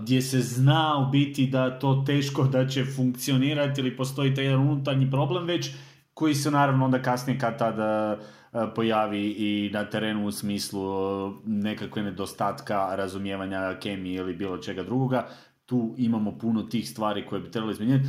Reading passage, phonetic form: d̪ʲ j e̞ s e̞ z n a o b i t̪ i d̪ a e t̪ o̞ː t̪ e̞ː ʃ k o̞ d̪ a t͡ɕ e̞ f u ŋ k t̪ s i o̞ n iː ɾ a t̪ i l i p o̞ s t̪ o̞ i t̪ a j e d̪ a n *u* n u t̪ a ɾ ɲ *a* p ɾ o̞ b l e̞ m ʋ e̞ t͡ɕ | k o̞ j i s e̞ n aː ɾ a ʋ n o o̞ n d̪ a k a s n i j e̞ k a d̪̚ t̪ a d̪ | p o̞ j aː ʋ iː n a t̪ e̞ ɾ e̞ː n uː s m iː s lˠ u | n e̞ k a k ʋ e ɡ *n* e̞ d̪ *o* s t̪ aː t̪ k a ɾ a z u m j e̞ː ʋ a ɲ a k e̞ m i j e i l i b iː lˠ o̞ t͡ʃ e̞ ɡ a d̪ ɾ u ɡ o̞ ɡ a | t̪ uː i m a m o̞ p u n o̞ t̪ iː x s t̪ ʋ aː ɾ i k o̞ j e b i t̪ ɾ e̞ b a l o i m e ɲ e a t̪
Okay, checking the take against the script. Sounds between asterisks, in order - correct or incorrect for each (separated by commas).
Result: correct, incorrect, correct, correct